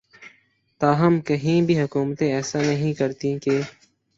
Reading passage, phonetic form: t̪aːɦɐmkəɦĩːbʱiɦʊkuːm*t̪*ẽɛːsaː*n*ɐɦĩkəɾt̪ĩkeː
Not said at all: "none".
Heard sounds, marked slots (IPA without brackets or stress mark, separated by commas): t̪, n